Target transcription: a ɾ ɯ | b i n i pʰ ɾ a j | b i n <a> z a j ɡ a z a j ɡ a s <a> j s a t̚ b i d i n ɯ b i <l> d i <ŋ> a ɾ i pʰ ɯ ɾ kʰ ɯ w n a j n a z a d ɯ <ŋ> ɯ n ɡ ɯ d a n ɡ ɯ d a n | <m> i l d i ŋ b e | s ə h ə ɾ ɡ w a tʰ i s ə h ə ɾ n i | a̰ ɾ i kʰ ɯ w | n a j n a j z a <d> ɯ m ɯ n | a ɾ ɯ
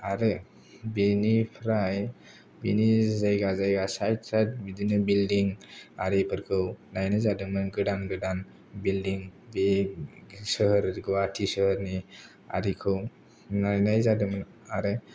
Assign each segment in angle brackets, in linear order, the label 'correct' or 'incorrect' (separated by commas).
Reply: incorrect, correct, correct, correct, incorrect, incorrect, correct